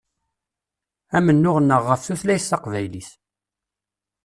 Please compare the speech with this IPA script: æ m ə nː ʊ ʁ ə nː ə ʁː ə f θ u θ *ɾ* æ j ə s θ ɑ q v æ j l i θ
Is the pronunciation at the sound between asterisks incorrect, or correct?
incorrect